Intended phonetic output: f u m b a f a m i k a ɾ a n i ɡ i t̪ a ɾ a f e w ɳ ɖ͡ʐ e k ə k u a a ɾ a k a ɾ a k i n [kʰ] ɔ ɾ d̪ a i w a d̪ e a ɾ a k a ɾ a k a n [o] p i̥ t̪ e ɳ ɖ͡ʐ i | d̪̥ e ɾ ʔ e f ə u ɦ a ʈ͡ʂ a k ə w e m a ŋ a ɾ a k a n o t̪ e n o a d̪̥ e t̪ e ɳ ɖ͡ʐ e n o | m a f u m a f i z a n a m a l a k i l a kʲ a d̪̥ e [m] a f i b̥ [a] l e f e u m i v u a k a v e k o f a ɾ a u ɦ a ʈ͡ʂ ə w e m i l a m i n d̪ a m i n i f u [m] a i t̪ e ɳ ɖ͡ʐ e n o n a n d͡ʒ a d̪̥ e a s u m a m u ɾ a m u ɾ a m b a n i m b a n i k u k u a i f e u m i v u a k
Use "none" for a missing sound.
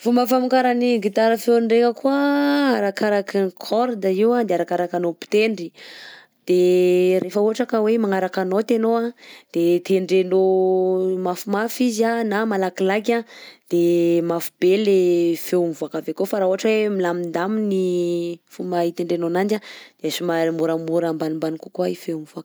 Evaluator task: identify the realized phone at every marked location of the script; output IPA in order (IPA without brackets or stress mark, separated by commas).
kʰ, o, m, e, m